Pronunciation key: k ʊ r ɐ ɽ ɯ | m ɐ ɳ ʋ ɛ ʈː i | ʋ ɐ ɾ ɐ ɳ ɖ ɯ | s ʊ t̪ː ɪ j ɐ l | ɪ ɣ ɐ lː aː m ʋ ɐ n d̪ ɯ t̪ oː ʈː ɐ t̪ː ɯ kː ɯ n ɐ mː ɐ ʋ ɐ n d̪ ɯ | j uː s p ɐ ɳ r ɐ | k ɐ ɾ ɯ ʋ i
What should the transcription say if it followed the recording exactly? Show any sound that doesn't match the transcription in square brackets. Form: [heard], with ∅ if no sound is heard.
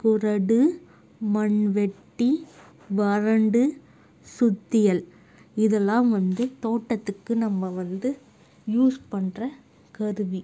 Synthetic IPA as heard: k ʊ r ɐ ɽ ɯ | m ɐ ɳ ʋ ɛ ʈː i | ʋ ɐ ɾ ɐ ɳ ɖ ɯ | s ʊ t̪ː ɪ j ɐ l | ɪ [ð] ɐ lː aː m ʋ ɐ n d̪ ɯ t̪ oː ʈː ɐ t̪ː ɯ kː ɯ n ɐ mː ɐ ʋ ɐ n d̪ ɯ | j uː s p ɐ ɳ r ɐ | k ɐ ɾ ɯ ʋ i